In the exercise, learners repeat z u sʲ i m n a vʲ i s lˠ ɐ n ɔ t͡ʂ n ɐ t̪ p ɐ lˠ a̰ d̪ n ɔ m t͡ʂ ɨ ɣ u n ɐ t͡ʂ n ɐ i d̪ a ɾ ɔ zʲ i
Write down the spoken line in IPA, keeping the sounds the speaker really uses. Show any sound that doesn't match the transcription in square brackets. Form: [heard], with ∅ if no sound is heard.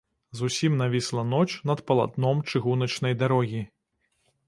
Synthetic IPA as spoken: z u sʲ i m n a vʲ i s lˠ ɐ n ɔ t͡ʂ n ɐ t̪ p ɐ lˠ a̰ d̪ n ɔ m t͡ʂ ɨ ɣ u n ɐ t͡ʂ n ɐ [j] d̪ a ɾ ɔ [ɣʲ] i